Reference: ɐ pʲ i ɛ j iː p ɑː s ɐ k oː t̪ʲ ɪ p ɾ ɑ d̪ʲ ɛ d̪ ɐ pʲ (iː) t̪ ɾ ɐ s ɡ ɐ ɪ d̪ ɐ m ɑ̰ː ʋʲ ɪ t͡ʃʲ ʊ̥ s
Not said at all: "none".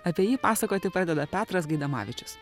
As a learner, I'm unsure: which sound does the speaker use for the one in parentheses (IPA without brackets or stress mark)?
æː